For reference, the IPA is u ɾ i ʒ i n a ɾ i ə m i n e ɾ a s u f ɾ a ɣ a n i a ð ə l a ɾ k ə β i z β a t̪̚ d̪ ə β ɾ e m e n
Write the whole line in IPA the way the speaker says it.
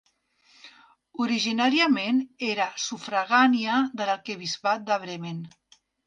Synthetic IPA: u ɾ i ʒ i n a ɾ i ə m e n e ɾ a s u f ɾ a ɣ a n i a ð ə l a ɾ k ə β i z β a t̪̚ d̪ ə β ɾ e m e n